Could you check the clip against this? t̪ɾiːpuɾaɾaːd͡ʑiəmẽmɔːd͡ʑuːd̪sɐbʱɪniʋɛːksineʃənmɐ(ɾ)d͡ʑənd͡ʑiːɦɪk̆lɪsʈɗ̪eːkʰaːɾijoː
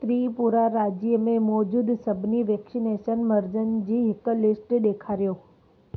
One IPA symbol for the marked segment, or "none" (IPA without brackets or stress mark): ɾ